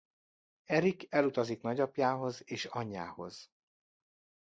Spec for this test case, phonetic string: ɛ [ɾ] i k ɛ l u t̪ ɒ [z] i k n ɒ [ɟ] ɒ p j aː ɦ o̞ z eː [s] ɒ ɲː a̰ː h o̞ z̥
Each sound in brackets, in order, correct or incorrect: correct, correct, correct, incorrect: ʃ

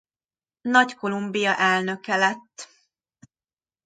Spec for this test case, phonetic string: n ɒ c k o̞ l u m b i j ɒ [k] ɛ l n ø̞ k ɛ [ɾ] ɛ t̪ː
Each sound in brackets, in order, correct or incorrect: incorrect: ʔ, incorrect: l

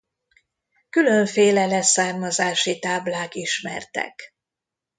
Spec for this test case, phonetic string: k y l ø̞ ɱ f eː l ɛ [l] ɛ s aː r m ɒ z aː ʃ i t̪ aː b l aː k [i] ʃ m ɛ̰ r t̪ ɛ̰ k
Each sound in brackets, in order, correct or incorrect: correct, correct

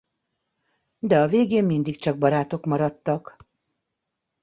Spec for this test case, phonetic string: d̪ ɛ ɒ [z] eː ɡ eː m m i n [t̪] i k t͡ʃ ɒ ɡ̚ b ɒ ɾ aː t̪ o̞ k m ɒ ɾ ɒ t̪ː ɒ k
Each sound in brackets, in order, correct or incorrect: incorrect: v, incorrect: d̪

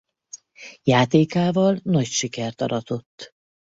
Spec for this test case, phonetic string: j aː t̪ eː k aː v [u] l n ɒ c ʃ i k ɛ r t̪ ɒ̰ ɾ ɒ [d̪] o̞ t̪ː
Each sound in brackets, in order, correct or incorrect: incorrect: ɒ, incorrect: t̪

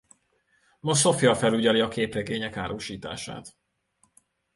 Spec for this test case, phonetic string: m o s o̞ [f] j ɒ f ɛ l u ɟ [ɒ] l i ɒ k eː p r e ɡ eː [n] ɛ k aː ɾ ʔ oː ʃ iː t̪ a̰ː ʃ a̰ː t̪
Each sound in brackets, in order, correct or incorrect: correct, correct, incorrect: ɲ

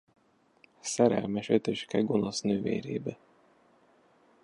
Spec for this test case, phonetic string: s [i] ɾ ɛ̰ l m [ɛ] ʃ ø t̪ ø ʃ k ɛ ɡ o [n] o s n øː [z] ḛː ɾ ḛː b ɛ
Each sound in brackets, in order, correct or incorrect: incorrect: ɛ, correct, correct, incorrect: v

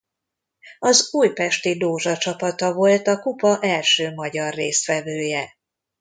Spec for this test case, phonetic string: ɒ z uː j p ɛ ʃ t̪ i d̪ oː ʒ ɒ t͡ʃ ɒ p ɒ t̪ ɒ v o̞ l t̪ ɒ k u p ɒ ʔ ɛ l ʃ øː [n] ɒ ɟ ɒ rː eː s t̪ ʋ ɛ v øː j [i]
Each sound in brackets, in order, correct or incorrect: incorrect: m, incorrect: ɛ

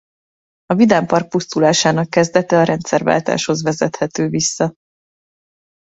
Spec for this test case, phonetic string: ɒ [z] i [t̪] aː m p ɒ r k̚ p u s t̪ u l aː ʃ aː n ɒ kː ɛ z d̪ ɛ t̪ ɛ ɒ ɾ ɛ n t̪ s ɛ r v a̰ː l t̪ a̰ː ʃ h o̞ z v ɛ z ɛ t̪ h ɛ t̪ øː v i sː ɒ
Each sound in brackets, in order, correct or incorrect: incorrect: v, incorrect: d̪

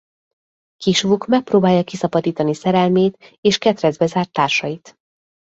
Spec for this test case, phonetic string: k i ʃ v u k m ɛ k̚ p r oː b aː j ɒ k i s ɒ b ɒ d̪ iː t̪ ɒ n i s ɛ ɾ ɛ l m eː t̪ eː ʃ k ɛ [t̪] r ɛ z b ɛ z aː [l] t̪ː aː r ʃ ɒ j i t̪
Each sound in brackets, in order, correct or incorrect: correct, incorrect: r

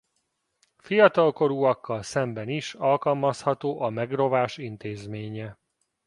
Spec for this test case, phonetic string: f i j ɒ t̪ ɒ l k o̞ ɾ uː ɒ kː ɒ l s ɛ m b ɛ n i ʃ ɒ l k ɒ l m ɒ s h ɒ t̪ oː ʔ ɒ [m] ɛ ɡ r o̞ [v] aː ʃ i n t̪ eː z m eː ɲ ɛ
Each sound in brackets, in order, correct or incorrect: correct, correct

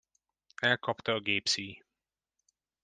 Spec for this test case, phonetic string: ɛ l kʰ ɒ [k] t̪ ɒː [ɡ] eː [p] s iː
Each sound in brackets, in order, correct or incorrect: incorrect: p, correct, correct

